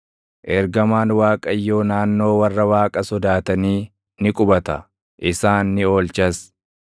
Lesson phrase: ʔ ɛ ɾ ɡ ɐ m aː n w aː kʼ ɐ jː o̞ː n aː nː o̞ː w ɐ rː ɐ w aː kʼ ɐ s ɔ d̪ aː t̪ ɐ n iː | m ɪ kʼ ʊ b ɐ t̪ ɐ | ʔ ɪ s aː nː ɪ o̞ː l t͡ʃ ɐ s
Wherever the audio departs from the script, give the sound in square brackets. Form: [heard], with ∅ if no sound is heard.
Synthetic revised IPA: ʔ ɛ ɾ ɡ ɐ m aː n w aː kʼ ɐ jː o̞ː n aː nː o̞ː w ɐ rː ɐ w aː kʼ ɐ s ɔ d̪ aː t̪ ɐ n iː | [n] ɪ kʼ ʊ b ɐ t̪ ɐ | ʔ ɪ s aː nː ɪ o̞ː l t͡ʃ ɐ s